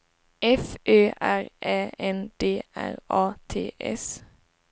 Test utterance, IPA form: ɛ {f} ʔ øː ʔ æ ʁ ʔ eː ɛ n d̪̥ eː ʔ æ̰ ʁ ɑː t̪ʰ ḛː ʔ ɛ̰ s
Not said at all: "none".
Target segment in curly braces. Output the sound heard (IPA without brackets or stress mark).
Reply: f